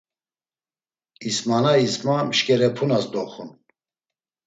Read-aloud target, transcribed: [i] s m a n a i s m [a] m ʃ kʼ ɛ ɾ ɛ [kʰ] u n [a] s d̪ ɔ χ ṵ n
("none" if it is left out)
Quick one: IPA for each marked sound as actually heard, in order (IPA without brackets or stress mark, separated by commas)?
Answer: i, a, pʰ, a